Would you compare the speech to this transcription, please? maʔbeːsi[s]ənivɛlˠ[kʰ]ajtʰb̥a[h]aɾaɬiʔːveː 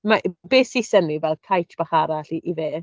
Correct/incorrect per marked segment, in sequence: correct, correct, incorrect: χ

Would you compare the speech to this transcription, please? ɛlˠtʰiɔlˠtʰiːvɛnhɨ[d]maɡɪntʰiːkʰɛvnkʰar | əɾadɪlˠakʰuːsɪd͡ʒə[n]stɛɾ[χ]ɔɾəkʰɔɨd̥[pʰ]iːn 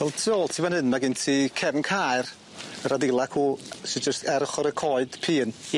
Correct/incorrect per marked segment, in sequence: incorrect: n, incorrect: none, correct, correct

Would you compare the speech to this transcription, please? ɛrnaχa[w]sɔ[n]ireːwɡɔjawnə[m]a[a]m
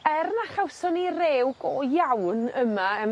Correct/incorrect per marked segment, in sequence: correct, correct, correct, incorrect: ə

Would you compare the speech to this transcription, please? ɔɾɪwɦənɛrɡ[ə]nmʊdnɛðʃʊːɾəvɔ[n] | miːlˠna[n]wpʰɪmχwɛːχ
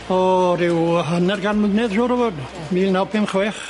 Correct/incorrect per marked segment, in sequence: incorrect: a, incorrect: d, incorrect: none

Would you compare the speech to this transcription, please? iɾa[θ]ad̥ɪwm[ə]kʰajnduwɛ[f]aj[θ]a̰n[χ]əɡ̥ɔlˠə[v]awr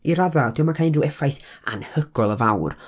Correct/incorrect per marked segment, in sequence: incorrect: ð, incorrect: a, correct, correct, incorrect: h, correct

